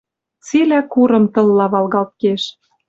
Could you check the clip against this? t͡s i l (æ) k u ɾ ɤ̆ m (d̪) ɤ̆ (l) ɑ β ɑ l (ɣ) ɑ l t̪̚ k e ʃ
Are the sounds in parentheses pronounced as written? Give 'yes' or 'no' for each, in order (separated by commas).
yes, no, no, yes